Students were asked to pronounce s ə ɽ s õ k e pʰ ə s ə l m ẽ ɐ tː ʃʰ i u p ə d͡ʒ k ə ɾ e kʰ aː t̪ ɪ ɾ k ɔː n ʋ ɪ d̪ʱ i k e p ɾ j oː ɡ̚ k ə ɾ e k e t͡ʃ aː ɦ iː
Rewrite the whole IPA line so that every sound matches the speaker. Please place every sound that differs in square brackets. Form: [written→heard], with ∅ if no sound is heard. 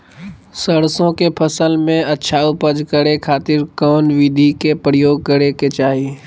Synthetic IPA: s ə ɽ s õ k e pʰ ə s ə l m ẽ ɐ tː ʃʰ [i→a] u p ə d͡ʒ k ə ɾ e kʰ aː t̪ ɪ ɾ k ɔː n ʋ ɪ d̪ʱ i k e p ɾ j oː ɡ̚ k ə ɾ e k e t͡ʃ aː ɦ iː